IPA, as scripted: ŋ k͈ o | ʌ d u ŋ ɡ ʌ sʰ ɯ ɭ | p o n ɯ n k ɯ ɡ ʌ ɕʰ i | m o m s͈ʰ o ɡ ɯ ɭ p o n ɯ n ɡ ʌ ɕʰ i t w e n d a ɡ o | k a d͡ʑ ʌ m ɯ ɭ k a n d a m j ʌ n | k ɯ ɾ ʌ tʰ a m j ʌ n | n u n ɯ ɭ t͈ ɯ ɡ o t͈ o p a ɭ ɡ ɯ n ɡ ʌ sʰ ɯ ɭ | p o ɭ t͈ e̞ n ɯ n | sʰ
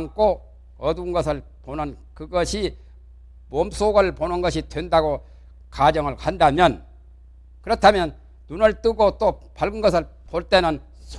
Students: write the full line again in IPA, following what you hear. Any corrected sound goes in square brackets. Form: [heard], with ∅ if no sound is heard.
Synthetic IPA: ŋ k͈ o | ʌ d u [n] ɡ ʌ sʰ ɯ ɭ | p o n ɯ n k ɯ ɡ ʌ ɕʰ i | m o m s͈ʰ o ɡ ɯ ɭ p o n ɯ n ɡ ʌ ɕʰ i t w e n d a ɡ o | k a d͡ʑ ʌ [ŋ] ɯ ɭ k a n d a m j ʌ n | k ɯ ɾ ʌ tʰ a m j ʌ n | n u n ɯ ɭ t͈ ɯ ɡ o t͈ o p a ɭ ɡ ɯ n ɡ ʌ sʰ ɯ ɭ | p o ɭ t͈ e̞ n ɯ n | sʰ